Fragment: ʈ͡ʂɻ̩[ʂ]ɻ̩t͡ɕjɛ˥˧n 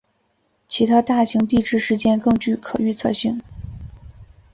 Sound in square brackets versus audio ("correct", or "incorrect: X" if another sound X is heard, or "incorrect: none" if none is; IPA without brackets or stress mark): correct